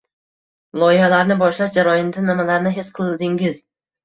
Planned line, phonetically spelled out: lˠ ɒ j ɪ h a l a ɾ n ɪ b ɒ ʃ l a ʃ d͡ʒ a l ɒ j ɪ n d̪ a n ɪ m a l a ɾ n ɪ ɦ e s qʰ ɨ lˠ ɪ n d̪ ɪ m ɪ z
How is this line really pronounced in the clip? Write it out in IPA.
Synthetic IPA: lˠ ɒ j ɪ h a l a ɾ n ɪ b ɒ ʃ l a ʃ d͡ʒ a ɾ ɒ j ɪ n d̪ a n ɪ m a l a ɾ n ɪ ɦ e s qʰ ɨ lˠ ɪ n d̪ ɪ ŋ ɪ z